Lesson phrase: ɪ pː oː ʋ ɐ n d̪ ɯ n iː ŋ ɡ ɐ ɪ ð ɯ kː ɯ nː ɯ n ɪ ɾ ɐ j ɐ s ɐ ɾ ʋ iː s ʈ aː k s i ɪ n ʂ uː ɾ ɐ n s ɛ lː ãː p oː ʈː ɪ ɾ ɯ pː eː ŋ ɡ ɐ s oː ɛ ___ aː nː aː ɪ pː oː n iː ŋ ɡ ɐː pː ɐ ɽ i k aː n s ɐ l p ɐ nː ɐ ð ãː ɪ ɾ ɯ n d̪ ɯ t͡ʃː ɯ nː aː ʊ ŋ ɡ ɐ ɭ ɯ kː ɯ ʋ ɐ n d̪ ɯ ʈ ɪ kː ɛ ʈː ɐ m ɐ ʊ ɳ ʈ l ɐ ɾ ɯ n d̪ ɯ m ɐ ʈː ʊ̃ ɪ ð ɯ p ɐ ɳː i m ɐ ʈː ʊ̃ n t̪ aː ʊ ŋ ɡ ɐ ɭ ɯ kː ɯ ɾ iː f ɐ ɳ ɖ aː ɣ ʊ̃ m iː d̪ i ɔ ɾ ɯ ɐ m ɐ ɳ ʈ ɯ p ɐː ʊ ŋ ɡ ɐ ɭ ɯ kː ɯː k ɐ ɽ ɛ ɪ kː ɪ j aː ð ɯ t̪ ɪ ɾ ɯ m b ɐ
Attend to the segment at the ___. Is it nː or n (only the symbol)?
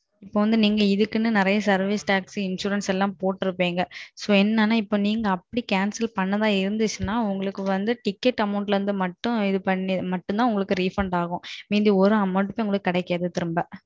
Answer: nː